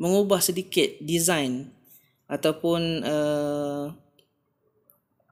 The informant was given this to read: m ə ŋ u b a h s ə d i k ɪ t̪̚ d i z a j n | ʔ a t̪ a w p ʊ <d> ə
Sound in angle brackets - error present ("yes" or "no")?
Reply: yes